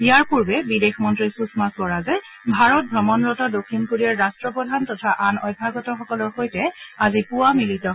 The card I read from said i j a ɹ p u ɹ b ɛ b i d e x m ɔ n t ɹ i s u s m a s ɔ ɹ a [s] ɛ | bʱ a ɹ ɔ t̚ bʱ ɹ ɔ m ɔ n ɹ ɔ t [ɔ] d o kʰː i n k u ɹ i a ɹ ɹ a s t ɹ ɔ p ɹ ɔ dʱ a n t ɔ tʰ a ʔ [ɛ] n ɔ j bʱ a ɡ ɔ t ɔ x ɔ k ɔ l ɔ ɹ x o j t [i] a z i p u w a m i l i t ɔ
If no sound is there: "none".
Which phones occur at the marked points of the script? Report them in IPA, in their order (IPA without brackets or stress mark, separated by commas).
z, ɔ, a, ɛ